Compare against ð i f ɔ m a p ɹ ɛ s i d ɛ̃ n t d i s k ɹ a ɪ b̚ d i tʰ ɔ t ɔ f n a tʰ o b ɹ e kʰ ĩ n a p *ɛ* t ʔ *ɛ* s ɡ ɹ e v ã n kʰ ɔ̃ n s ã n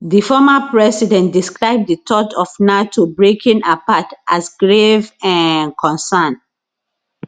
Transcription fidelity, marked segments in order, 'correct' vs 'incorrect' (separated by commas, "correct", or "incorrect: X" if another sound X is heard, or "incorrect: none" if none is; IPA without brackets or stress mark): incorrect: a, incorrect: a